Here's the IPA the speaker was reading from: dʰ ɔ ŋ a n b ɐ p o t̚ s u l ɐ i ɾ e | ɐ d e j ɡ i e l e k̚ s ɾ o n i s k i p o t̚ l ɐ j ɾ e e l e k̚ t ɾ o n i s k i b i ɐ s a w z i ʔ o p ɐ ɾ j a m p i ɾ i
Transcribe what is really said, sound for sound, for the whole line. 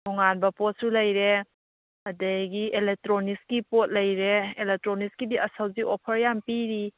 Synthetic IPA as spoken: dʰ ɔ ŋ a n b ɐ p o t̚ s u l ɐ j ɾ e | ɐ d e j ɡ i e l e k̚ t ɾ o n i s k i p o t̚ l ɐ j ɾ e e l e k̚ t ɾ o n i s k i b i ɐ s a w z i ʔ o pʰ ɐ ɾ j a m p i ɾ i